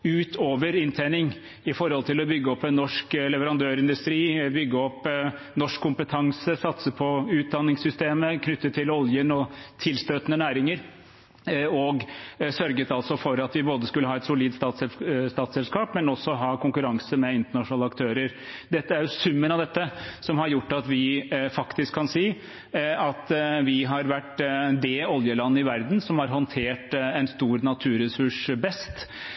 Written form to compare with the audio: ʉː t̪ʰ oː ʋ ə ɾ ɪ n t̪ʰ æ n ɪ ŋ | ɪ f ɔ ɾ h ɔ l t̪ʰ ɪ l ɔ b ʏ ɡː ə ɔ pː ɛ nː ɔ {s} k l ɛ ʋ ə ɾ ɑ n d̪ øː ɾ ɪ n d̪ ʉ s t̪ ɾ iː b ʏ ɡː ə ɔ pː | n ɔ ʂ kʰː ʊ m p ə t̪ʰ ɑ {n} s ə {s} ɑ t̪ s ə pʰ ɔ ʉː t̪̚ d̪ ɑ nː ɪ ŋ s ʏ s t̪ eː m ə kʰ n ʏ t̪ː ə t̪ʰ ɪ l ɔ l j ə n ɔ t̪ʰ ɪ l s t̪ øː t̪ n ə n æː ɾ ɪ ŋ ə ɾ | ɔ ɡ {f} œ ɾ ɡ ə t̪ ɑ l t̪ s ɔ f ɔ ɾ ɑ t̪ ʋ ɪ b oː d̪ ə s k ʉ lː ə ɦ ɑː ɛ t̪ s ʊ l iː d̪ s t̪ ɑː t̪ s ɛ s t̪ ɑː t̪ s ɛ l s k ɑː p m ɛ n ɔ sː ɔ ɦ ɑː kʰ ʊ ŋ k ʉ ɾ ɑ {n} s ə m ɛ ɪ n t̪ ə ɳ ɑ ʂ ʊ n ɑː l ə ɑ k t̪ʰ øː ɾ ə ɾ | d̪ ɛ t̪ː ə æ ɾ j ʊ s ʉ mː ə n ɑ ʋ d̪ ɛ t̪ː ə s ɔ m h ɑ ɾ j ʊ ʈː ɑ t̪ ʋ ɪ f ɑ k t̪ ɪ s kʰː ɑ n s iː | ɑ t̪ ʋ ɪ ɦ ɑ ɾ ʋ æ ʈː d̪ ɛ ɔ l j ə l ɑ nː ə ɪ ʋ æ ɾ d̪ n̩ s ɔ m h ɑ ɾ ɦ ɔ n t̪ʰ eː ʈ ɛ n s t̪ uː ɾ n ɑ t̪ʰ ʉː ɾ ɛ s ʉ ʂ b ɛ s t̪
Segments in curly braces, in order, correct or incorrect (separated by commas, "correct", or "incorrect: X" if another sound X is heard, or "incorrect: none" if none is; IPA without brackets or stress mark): incorrect: ʂ, incorrect: ŋ, correct, incorrect: s, incorrect: ŋ